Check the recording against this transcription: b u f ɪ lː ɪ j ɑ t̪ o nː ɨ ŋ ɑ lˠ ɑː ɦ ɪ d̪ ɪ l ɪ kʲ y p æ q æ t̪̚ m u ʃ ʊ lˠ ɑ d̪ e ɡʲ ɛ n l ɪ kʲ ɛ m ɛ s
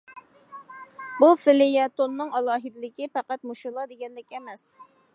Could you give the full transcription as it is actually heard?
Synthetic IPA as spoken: b u f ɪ l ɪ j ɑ t̪ o nː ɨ ŋ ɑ lˠ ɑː ɦ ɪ d̪ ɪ l ɪ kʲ i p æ q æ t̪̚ m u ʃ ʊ lˠ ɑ d̪ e ɡʲ ɛ n l ɪ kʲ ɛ m ɛ s